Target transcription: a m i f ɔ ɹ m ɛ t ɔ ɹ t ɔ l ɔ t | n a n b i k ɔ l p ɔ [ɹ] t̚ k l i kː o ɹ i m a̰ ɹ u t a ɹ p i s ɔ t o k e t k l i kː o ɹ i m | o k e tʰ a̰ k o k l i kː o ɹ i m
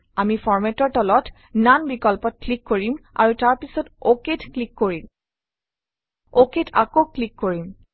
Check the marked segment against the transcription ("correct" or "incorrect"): incorrect